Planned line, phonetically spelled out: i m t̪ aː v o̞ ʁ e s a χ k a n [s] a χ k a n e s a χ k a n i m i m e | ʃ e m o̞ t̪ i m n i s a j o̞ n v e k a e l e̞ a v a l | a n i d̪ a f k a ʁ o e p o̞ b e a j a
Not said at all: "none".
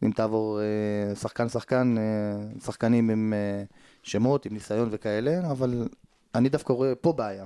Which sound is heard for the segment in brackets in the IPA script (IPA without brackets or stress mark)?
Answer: s